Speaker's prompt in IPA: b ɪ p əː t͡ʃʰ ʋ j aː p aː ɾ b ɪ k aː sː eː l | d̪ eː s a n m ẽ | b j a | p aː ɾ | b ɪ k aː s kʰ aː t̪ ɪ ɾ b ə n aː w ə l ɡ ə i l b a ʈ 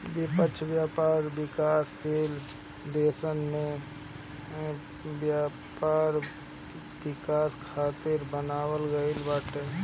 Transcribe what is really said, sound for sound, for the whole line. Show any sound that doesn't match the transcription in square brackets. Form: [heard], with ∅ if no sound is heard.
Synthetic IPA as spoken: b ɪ p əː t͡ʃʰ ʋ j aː p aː ɾ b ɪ k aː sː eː l | d̪ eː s [ə] n m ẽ | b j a | p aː ɾ | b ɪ k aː s kʰ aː t̪ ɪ ɾ b ə n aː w ə l ɡ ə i l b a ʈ